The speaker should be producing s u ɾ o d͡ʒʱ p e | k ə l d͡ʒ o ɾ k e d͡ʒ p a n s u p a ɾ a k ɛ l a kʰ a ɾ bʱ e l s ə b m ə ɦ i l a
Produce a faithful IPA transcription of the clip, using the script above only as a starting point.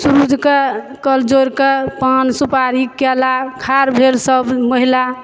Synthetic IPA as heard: s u ɾ u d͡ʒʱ k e | k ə l d͡ʒ o ɾ k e p a n s u p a ɾ i k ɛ l a kʰ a ɾ bʱ e l s ə b m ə ɦ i l a

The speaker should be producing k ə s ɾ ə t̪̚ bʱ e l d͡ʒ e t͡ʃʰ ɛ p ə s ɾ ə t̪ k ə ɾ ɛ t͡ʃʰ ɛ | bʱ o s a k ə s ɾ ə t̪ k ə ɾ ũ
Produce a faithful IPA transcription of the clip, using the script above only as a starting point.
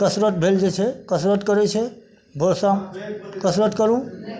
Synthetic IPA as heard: k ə s ɾ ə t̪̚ bʱ e l d͡ʒ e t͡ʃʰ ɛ k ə s ɾ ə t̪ k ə ɾ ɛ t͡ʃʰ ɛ | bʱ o s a k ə s ɾ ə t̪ k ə ɾ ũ

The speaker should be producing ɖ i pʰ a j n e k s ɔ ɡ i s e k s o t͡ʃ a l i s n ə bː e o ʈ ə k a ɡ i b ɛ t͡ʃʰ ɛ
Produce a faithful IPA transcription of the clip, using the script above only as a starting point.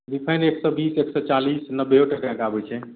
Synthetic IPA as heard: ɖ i pʰ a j n e k s ɔ b i s e k s ɔ t͡ʃ a l i s n ə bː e o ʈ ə k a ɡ a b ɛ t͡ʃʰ ɛ

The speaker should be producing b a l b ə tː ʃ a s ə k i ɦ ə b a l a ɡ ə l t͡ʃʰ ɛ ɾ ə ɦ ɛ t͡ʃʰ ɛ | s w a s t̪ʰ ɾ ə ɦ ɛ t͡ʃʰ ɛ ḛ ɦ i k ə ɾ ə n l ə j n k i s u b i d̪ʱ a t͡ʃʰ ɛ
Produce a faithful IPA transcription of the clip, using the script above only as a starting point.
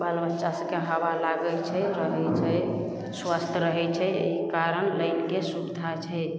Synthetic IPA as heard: b a l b ə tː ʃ a s ə k e ɦ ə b a l a ɡ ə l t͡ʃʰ ɛ ɾ ə ɦ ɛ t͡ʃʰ ɛ | s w a s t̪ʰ ɾ ə ɦ ɛ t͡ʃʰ ɛ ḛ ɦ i k a ɾ ə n l ə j n k e s u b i d̪ʱ a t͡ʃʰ ɛ

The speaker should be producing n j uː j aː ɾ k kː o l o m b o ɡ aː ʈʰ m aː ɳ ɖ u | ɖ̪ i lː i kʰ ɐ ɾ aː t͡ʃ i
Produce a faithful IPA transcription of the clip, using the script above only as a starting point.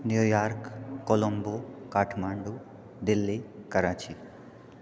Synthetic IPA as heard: n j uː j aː ɾ k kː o l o m b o k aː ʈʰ m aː ɳ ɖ u | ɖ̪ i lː i k ɐ ɾ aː t͡ʃ i

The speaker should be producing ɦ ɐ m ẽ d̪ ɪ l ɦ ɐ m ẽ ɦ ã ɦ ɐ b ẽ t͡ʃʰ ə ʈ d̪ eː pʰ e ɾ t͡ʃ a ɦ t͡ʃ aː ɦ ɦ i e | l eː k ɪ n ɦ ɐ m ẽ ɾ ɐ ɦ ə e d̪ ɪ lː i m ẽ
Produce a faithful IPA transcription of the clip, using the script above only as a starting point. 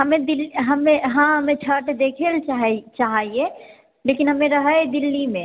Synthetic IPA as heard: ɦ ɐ m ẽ d̪ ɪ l ɦ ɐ m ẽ ɦ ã ɦ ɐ m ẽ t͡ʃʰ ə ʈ d̪ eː kʰ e l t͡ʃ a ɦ t͡ʃ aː ɦ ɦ i e | l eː k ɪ n ɦ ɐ m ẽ ɾ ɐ ɦ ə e d̪ ɪ lː i m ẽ

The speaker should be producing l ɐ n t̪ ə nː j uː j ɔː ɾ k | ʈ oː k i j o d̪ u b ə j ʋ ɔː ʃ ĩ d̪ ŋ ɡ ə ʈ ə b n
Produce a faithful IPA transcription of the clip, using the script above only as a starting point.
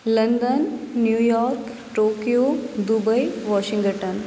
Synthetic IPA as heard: l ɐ n d̪ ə nː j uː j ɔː ɾ k | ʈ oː k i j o d̪ u b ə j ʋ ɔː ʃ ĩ ŋ ɡ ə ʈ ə n

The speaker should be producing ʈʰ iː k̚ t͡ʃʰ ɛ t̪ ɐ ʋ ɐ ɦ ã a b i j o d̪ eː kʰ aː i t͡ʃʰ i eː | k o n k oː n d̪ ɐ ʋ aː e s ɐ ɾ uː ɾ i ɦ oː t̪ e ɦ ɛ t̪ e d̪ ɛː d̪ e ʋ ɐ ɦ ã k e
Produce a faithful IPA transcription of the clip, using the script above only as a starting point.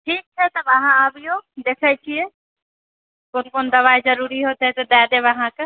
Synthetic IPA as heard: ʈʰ iː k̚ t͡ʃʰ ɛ t̪ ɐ ʋ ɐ ɦ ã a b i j o d̪ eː kʰ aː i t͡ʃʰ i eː | k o n k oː n d̪ ɐ ʋ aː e z ɐ ɾ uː ɾ i ɦ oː t̪ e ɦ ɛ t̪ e d̪ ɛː d̪ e ʋ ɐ ɦ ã k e

